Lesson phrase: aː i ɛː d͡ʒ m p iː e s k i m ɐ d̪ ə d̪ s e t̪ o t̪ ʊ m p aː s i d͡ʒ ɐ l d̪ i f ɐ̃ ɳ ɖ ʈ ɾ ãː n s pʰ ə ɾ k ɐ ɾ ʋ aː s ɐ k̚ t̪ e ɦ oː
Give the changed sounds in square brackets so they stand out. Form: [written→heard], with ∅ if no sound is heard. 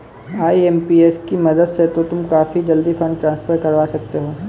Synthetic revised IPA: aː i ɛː [d͡ʒ→∅] m p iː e s k i m ɐ d̪ ə d̪ s e t̪ o t̪ ʊ m [p→k] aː [s→f] i d͡ʒ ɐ l d̪ i f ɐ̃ ɳ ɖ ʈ ɾ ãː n s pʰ ə ɾ k ɐ ɾ ʋ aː s ɐ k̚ t̪ e ɦ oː